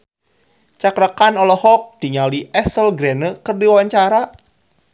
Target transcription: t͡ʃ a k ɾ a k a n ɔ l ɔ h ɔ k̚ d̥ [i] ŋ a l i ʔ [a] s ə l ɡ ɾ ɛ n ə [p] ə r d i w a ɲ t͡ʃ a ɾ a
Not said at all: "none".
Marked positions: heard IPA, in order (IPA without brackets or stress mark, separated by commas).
i, ɛ, k